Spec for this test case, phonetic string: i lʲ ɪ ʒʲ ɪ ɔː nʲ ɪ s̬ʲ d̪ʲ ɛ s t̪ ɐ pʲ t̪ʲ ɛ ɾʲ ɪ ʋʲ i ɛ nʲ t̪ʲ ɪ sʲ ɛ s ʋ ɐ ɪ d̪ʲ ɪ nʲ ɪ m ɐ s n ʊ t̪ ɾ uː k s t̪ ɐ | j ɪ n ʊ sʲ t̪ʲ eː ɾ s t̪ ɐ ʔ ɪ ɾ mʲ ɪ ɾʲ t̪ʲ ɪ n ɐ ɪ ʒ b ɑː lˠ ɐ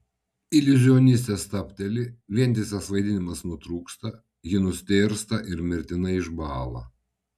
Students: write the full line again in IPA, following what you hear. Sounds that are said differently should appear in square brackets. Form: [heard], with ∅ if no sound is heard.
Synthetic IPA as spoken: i lʲ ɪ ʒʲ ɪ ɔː nʲ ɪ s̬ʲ [t̪ʲ] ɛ s t̪ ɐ pʲ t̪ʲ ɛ [lʲ] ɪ ʋʲ i ɛ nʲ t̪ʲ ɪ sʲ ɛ s ʋ ɐ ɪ d̪ʲ ɪ nʲ ɪ m ɐ s n ʊ t̪ ɾ uː k s t̪ ɐ | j ɪ n ʊ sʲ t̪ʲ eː ɾ s t̪ ɐ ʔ ɪ ɾ mʲ ɪ ɾʲ t̪ʲ ɪ n ɐ ɪ ʒ b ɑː lˠ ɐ

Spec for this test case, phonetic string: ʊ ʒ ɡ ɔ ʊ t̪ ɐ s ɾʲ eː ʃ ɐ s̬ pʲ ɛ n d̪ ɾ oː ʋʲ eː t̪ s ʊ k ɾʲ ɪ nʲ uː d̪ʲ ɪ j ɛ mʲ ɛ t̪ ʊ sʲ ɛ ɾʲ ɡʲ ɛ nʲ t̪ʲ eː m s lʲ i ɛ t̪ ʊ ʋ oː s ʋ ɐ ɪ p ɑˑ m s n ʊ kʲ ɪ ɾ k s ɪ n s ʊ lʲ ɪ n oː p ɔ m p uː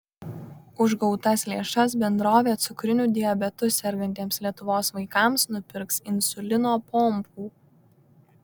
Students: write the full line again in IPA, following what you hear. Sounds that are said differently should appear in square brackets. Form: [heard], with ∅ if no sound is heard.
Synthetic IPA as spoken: ʊ ʒ ɡ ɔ ʊ t̪ ɐ s [lʲ] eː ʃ ɐ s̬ [bʲ] ɛ n d̪ ɾ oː ʋʲ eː t̪ s ʊ k ɾʲ ɪ nʲ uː d̪ʲ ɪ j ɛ [bʲ] ɛ t̪ ʊ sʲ ɛ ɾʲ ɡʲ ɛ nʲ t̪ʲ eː m s lʲ i ɛ t̪ ʊ ʋ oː s ʋ ɐ ɪ [k] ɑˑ m s n ʊ [pʲ] ɪ ɾ k s ɪ n s ʊ lʲ ɪ n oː p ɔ m p uː

